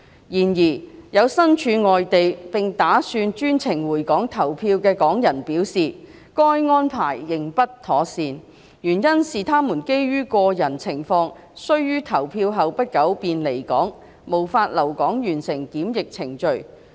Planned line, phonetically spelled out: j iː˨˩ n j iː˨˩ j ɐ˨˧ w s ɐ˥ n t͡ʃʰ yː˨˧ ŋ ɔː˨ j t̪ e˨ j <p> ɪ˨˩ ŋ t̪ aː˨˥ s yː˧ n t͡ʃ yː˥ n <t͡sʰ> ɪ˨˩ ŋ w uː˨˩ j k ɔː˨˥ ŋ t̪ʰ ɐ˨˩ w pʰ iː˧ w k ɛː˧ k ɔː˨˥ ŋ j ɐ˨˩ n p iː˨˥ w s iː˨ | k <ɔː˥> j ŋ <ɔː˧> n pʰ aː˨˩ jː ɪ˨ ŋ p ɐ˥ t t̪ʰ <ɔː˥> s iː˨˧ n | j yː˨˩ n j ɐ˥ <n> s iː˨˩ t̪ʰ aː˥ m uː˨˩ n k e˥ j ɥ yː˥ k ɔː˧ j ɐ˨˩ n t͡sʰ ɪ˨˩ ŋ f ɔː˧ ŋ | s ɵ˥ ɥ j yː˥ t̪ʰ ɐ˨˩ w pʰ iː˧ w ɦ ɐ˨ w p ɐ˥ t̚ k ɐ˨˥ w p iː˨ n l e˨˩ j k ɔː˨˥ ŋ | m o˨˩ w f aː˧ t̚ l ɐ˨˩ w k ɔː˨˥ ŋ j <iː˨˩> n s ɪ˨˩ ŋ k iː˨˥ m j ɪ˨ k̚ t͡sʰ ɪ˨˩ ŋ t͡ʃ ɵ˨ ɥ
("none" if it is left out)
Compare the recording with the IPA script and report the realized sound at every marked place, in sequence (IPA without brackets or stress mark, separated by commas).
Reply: p, t͡sʰ, ɔː˥, ɔː˥, ɔː˨˥, n, yː˨˩